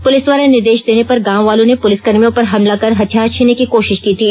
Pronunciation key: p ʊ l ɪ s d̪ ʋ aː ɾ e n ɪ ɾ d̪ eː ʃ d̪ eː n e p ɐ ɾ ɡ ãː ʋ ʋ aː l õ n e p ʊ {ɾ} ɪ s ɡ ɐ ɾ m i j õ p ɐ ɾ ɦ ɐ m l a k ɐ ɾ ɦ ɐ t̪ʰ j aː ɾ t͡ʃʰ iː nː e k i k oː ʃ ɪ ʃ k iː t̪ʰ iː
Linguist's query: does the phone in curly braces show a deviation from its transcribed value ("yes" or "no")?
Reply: yes